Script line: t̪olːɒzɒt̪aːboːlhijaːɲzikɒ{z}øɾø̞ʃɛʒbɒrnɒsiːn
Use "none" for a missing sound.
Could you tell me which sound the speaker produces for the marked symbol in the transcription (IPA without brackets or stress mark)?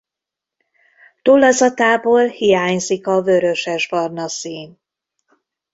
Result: v